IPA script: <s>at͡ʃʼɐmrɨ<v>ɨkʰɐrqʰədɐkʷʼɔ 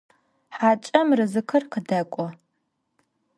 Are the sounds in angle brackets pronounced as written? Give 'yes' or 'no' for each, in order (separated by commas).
no, no